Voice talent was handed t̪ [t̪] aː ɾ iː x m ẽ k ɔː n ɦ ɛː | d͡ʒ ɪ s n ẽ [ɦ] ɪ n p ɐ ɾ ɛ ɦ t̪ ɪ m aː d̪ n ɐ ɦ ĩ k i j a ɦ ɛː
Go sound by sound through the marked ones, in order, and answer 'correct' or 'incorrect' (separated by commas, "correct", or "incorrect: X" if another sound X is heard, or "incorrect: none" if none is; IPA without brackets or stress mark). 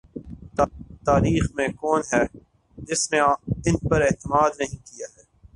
correct, incorrect: none